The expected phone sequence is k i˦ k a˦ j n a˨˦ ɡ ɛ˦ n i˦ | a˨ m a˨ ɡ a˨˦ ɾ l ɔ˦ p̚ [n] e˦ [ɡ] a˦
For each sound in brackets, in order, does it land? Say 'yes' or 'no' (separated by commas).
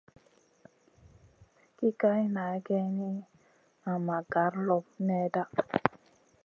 yes, no